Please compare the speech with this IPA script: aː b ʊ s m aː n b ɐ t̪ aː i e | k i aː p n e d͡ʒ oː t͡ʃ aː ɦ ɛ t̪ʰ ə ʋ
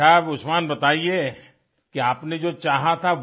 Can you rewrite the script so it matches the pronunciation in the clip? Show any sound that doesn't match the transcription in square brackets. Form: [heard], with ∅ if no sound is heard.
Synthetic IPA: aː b ʊ s m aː n b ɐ t̪ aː i e | k i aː p n e d͡ʒ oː t͡ʃ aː ɦ [a] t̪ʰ [a] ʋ